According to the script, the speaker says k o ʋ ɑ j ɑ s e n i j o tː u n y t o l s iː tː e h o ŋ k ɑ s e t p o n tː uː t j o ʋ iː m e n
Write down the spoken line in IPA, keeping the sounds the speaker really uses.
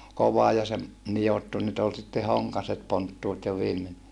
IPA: k o ʋ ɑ j ɑ s e n i j o tː u n y t o l s i tː e h o ŋ k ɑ s e t p o n tː uː t j o ʋ iː m e n